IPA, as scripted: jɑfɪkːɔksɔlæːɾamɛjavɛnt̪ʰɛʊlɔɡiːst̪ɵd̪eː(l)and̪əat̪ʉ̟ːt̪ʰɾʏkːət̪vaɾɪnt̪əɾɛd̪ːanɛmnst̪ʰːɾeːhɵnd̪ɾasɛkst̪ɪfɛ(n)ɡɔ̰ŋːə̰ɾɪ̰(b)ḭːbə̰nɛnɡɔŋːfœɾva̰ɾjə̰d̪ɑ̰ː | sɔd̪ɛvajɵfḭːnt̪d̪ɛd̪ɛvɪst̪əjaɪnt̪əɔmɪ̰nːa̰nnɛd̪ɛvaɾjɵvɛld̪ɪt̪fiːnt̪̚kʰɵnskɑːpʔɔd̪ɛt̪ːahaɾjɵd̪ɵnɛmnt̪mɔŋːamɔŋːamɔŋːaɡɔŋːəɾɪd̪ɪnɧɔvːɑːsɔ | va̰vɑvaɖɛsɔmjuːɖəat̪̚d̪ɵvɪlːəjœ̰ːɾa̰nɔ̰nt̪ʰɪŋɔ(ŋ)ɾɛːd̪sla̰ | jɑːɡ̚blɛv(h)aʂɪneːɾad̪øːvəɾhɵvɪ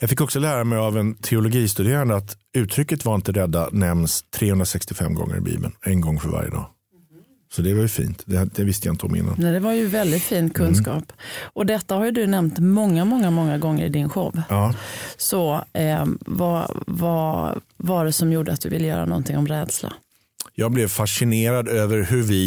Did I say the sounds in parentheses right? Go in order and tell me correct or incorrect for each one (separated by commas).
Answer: incorrect, incorrect, correct, incorrect, incorrect